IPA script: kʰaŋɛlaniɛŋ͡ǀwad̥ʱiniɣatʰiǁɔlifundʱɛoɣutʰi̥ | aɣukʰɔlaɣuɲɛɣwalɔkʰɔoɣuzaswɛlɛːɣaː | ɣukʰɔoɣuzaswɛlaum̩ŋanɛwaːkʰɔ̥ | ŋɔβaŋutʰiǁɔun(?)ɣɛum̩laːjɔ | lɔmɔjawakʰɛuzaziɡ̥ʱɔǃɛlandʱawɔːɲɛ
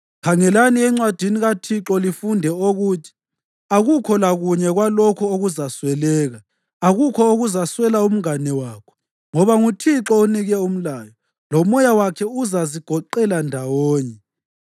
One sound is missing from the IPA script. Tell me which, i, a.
i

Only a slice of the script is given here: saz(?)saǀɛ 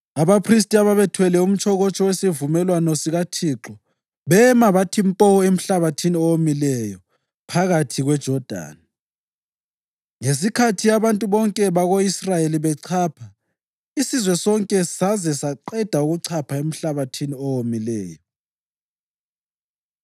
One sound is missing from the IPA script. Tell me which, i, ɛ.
ɛ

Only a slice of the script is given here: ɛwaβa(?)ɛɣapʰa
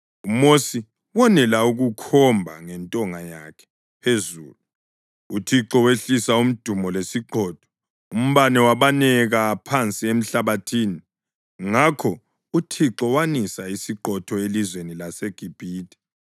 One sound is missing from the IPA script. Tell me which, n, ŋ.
n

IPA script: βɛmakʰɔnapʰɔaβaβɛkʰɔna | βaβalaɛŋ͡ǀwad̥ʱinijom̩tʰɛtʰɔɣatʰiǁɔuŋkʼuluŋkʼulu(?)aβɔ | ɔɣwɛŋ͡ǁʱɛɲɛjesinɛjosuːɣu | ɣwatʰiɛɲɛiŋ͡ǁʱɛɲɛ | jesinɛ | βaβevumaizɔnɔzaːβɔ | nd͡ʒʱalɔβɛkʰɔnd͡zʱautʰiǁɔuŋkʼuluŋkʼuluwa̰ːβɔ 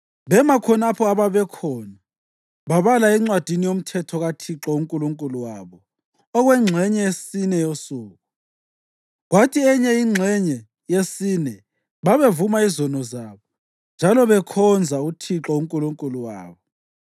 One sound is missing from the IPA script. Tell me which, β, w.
w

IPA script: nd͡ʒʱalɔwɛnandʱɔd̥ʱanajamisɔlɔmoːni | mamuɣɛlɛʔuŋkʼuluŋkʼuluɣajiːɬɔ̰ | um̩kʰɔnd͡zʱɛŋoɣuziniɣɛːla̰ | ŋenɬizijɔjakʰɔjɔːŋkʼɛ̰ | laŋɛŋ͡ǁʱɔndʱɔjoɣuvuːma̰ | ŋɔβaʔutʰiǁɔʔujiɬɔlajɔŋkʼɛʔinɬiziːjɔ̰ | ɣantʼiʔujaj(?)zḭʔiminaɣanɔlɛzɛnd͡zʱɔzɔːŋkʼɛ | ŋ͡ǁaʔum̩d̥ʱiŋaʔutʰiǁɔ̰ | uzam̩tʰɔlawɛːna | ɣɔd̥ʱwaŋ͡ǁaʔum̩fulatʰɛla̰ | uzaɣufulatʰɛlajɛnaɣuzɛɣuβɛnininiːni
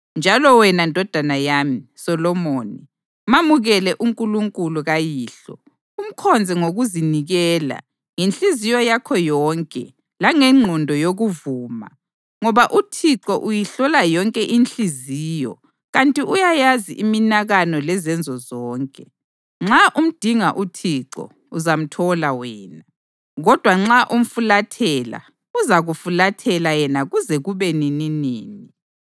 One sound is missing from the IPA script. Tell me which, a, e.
a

